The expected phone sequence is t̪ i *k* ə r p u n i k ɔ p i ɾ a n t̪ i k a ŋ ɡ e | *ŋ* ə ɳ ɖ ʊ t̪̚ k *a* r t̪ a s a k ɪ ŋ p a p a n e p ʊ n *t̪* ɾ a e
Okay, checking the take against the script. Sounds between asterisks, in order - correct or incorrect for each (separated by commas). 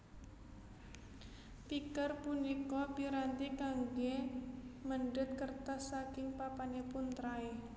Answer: correct, incorrect, incorrect, correct